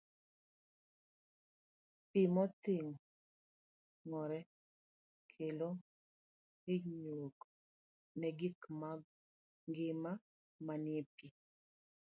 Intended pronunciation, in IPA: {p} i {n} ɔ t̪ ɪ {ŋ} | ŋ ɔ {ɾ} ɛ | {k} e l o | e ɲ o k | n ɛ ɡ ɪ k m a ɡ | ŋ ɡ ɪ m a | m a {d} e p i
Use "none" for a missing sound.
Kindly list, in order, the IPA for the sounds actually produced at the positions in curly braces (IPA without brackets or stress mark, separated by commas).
p, m, ŋ, ɾ, kʰ, n